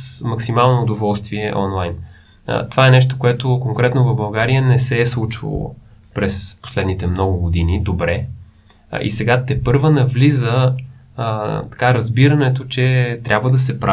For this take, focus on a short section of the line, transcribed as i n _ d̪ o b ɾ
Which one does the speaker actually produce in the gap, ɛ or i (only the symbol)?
i